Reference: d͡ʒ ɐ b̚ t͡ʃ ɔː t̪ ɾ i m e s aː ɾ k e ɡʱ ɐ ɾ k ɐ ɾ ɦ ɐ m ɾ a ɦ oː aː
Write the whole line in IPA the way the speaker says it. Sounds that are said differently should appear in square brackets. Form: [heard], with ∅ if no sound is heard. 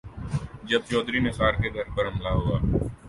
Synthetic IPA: d͡ʒ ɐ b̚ t͡ʃ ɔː [d̪] ɾ i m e s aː ɾ k e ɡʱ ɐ ɾ [p] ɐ ɾ ɦ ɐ m [l] a ɦ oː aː